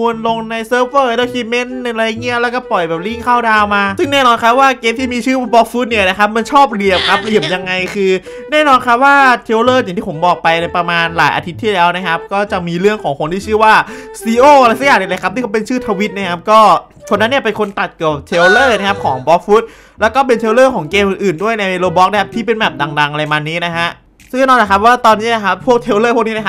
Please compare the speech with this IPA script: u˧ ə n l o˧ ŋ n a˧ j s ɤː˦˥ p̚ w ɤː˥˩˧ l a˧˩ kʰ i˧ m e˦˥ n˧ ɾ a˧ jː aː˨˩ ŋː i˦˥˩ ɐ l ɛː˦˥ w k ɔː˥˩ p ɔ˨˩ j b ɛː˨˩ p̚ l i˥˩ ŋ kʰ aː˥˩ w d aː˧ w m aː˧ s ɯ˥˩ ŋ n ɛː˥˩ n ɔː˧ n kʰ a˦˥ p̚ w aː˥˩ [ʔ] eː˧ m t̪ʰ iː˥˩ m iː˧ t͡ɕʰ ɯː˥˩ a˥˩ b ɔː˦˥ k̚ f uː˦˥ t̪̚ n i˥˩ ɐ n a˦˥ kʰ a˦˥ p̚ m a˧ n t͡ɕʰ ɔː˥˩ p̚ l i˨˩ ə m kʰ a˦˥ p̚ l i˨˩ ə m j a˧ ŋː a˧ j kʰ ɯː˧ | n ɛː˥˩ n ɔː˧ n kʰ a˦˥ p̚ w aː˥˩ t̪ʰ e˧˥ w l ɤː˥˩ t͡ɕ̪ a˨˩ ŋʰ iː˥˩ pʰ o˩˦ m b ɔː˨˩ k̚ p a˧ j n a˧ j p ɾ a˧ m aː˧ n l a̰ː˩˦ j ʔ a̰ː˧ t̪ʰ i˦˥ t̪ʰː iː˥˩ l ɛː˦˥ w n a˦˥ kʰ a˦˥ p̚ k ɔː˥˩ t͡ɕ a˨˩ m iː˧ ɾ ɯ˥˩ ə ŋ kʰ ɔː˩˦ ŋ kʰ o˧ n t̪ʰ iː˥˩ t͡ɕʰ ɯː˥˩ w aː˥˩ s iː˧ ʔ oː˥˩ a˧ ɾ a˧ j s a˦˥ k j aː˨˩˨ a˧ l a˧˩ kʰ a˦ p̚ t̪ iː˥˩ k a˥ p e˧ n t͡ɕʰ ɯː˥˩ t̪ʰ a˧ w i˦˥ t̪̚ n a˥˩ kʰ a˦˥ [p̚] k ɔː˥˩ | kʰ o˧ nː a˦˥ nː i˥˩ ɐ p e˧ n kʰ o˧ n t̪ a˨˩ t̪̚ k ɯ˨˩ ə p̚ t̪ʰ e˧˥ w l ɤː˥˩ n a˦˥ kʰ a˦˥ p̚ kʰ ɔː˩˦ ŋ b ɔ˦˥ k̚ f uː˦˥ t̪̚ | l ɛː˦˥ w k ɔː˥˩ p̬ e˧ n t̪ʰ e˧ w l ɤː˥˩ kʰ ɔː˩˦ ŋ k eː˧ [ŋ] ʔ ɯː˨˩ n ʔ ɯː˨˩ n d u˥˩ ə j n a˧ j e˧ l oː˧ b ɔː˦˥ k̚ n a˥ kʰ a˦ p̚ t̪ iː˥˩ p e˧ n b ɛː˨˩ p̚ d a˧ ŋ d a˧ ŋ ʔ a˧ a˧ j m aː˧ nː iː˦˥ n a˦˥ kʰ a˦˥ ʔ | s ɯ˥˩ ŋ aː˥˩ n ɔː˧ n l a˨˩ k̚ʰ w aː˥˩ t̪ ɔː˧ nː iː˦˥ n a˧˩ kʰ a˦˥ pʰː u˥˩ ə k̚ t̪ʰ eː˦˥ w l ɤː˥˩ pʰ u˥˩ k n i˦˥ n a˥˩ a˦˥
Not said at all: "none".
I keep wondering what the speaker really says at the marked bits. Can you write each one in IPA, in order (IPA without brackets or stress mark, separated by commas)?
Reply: k, p̚, m